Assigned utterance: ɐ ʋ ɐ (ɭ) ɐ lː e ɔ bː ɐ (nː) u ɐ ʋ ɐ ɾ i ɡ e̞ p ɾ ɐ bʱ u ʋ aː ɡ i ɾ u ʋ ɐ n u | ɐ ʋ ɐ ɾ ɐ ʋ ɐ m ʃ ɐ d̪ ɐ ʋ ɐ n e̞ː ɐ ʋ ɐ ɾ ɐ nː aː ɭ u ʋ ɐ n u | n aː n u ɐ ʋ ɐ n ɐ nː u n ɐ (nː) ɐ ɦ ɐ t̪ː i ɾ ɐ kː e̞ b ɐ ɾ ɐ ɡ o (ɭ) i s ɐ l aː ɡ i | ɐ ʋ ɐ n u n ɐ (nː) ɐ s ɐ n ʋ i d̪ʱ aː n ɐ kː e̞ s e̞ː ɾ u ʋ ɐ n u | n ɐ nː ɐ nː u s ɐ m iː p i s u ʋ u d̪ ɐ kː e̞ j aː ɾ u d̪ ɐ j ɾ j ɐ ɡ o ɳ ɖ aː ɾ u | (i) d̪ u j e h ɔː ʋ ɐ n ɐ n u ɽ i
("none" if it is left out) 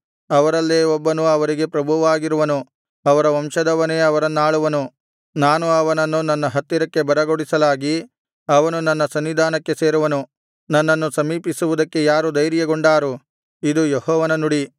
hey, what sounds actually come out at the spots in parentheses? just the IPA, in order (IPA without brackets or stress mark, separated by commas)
ɾ, n, nː, ɽ, nː, i